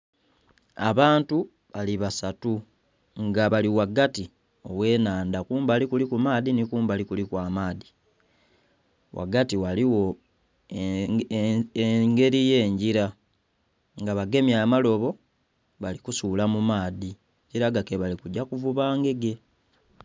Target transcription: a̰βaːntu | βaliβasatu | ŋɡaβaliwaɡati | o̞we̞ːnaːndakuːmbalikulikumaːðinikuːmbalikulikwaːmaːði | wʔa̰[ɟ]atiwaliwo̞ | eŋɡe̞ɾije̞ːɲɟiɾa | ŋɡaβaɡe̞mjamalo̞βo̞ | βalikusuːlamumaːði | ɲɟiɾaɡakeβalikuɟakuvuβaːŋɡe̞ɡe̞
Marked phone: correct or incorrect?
incorrect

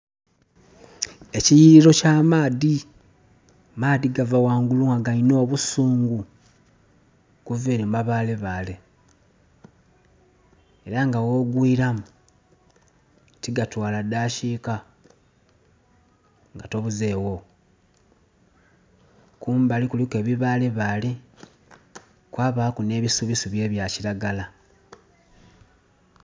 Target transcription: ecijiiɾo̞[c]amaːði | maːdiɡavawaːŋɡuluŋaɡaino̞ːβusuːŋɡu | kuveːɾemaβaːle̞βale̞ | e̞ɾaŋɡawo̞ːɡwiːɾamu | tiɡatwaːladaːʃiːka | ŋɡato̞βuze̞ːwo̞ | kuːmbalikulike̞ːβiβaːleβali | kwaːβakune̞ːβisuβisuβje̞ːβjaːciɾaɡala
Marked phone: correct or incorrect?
correct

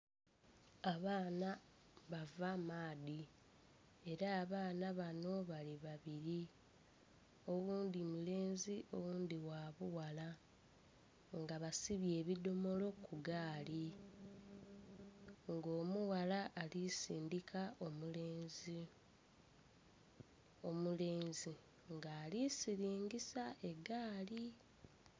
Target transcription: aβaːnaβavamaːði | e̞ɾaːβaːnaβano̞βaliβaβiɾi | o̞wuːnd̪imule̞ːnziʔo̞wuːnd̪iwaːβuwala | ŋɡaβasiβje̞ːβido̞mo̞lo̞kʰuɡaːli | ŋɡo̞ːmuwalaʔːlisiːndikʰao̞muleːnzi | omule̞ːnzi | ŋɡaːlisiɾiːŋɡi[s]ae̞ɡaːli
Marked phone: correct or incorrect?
correct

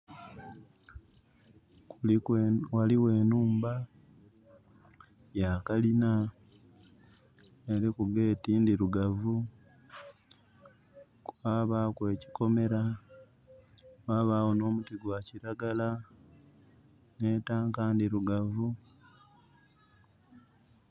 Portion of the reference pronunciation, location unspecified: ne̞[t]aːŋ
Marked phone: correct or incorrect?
correct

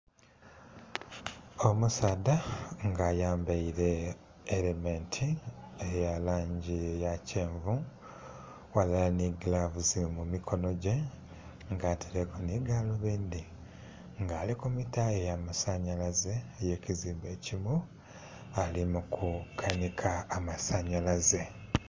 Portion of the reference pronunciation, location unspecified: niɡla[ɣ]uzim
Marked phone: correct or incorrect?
incorrect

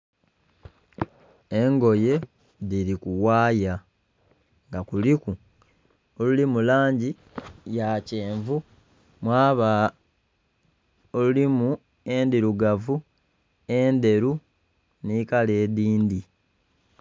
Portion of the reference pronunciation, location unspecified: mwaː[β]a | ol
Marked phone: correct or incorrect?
correct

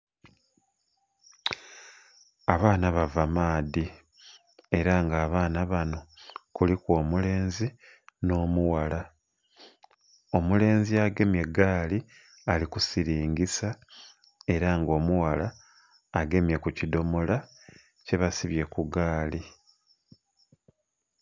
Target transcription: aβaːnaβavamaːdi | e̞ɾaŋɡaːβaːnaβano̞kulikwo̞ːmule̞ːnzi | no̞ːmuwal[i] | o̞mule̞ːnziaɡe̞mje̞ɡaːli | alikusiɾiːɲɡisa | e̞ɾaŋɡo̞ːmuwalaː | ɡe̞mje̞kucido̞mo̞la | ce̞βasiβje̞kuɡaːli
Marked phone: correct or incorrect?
incorrect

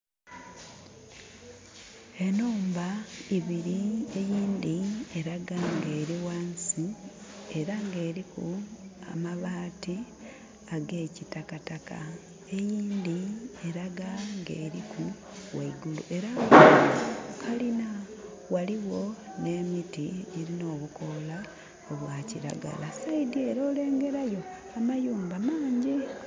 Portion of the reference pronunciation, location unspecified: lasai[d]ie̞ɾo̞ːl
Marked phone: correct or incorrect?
correct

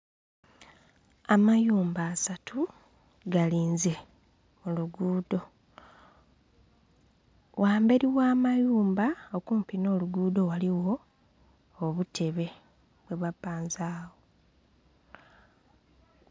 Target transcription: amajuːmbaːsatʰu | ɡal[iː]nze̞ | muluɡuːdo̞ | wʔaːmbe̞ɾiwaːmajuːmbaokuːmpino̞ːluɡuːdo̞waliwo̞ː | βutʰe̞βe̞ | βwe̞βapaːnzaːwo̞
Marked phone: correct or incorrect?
correct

